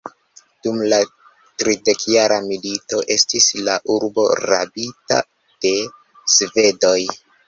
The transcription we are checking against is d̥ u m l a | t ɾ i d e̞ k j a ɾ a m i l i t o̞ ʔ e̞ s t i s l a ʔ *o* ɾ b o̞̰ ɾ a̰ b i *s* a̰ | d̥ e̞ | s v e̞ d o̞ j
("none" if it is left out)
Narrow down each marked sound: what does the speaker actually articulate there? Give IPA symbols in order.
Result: u, t

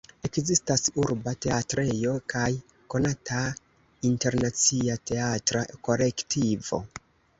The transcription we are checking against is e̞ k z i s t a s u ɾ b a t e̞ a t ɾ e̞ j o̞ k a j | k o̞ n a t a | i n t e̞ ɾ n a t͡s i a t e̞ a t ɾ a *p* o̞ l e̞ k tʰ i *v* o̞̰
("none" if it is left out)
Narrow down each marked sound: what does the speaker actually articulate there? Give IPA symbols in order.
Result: k, v

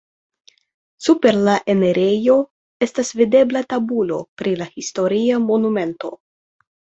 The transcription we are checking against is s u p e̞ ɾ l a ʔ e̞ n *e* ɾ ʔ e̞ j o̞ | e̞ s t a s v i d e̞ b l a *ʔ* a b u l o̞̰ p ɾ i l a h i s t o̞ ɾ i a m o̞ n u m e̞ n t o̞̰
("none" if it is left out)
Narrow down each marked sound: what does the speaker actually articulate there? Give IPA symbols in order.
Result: e, t

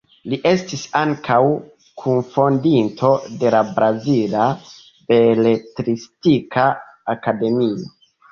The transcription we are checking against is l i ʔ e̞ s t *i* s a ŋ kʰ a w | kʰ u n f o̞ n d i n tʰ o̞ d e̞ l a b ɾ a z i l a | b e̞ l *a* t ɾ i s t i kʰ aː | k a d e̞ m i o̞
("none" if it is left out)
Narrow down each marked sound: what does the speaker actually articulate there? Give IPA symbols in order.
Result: i, e

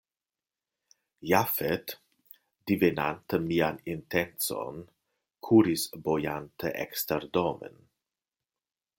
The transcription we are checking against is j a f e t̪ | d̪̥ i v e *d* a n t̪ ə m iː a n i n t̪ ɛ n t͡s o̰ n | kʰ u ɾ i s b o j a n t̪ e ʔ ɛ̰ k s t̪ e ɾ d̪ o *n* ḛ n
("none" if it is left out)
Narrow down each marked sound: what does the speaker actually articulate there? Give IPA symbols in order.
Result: n, m

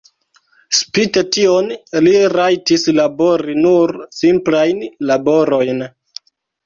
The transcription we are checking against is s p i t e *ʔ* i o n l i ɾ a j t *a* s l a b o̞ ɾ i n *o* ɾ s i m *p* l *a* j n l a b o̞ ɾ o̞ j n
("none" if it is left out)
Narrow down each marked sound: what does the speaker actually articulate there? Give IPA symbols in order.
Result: t, i, u, p, a

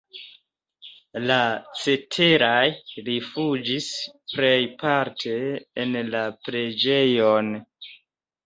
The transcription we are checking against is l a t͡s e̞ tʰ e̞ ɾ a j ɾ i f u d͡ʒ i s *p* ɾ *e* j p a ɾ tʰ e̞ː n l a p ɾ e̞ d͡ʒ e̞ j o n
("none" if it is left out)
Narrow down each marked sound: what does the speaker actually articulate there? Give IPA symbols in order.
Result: p, e

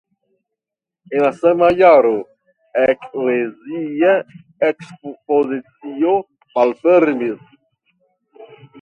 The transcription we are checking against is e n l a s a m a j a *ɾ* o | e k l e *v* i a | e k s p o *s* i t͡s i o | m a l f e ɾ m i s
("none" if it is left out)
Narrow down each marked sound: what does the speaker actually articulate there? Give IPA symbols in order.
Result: ɾ, z, z

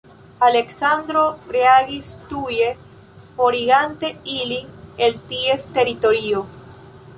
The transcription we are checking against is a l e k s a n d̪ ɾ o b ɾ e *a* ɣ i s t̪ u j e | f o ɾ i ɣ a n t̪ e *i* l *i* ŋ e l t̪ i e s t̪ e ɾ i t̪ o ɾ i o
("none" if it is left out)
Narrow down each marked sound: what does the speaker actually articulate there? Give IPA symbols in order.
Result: a, i, i

